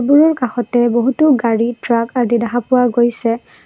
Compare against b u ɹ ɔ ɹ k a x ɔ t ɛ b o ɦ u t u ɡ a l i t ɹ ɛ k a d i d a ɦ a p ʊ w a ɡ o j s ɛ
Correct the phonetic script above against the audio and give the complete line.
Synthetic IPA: b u ɹ ɔ ɹ k a x ɔ t ɛ b o ɦ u t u ɡ a ɹ i t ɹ a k a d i d a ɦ a p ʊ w a ɡ o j s ɛ